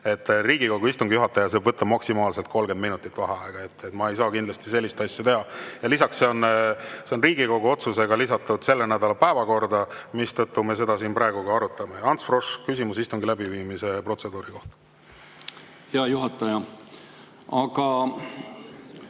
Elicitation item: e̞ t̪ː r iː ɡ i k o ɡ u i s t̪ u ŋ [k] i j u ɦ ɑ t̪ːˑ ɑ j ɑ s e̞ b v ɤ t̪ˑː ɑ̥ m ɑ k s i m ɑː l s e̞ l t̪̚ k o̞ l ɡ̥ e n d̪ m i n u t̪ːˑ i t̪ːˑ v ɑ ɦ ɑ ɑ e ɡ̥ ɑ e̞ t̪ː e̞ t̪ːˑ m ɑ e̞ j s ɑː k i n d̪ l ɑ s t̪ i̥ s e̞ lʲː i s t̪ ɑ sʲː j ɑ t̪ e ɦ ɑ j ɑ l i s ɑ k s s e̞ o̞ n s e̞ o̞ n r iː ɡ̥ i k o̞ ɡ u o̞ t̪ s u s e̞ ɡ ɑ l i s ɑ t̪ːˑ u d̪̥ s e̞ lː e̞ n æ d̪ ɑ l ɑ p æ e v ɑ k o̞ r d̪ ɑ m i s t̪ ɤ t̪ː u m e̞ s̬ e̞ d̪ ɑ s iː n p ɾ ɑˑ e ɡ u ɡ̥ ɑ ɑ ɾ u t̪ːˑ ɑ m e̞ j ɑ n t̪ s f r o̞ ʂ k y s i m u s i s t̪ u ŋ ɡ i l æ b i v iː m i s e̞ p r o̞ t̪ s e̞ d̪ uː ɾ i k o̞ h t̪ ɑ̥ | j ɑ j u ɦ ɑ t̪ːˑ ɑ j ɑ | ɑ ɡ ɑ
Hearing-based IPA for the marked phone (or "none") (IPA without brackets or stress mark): ɡ